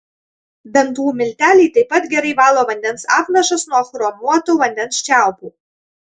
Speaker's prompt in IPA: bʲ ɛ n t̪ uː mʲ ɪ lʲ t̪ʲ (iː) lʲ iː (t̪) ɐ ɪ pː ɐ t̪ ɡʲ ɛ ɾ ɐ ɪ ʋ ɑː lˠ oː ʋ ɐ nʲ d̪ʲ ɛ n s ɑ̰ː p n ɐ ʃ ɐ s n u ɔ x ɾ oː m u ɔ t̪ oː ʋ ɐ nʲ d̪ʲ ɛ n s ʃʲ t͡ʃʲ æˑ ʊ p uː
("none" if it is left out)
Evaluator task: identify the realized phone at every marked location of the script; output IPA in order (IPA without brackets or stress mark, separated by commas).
æː, t̪